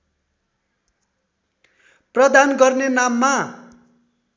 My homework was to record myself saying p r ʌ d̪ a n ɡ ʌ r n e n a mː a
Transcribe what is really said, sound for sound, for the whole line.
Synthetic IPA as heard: p r ʌ d̪ a n ɡ ʌ r n e n a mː a

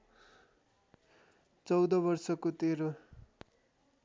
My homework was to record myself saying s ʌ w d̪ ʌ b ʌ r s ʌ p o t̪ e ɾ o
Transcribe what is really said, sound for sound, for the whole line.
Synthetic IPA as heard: t͡s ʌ w d̪ ʌ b ʌ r s ʌ k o t̪ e ɾ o

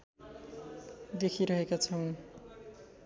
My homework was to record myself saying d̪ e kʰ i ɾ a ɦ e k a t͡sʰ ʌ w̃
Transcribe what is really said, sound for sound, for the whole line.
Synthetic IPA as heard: d̪ e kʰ i ɾ ʌ ɦ e k a t͡sʰ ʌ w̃

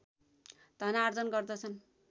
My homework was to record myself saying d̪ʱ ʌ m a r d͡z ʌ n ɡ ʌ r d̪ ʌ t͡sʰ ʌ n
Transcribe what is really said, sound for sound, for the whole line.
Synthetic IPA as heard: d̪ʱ ʌ n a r d͡z ʌ n ɡ ʌ r d̪ ʌ t͡sʰ ʌ n

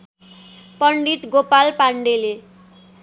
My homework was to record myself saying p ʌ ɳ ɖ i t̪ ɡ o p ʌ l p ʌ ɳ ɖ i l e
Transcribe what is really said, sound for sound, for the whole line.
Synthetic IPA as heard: p ʌ ɳ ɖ i t̪ ɡ o p a l p a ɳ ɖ e l e

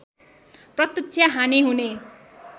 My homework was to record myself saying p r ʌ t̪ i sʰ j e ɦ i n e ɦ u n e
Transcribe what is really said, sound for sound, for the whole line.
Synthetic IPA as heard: p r ʌ t̪ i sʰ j a ɦ a n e ɦ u n e

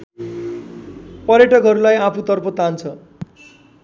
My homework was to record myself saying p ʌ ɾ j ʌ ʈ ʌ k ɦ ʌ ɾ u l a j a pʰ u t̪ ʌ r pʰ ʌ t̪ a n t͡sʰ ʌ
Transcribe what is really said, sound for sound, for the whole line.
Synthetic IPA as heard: p ʌ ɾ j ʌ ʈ ʌ k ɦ ʌ ɾ u l a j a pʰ u t̪ ʌ r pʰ ʌ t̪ a n t͡sʰ ʌ

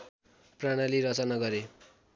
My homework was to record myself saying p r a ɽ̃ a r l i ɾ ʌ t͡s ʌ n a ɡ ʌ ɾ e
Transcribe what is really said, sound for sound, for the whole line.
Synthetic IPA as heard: p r a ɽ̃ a l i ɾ ʌ t͡s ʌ n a ɡ ʌ ɾ e

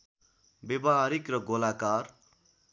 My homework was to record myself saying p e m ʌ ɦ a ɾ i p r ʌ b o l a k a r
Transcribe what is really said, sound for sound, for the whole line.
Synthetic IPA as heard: b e b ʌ ɦ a ɾ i k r ʌ ɡ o l a k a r

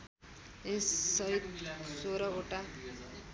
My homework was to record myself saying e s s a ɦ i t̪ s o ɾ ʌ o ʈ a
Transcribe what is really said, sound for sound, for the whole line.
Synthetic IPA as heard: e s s ʌ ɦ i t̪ s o ɾ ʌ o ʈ a

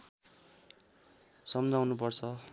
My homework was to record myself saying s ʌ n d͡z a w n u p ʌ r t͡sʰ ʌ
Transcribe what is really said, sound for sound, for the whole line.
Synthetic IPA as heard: s ʌ m d͡z a w n u p ʌ r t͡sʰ ʌ

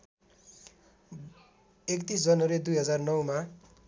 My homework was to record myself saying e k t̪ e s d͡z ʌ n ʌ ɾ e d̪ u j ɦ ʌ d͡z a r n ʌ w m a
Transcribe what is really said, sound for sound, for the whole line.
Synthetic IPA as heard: e k t̪ i s d͡z ʌ n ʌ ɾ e d̪ u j ɦ ʌ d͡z a r n ʌ w m a

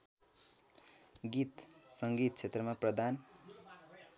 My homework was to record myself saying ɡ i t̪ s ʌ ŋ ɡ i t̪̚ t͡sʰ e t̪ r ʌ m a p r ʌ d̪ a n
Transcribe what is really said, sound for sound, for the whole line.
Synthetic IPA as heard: ɡ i t̪ s ʌ ŋ ɡ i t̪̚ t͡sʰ e t̪ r ʌ m a p r ʌ d̪ a n

